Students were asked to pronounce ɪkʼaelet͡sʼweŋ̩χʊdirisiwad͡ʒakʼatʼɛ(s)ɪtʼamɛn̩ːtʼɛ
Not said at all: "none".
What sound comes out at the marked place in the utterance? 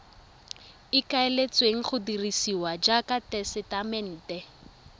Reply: s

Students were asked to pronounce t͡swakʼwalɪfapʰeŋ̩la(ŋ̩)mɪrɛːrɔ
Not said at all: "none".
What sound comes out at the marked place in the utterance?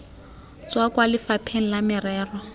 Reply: none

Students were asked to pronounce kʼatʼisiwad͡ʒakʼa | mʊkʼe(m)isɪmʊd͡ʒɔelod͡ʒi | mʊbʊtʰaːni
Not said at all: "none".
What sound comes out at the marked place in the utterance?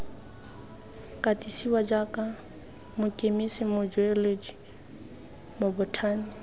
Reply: m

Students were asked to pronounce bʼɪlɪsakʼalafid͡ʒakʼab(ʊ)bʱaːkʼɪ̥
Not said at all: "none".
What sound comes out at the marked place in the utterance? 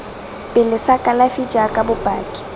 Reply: ʊ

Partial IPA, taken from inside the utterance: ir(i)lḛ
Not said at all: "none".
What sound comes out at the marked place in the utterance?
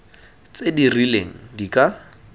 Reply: i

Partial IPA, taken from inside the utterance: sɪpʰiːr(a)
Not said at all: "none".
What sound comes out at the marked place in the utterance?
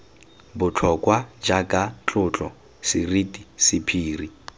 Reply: i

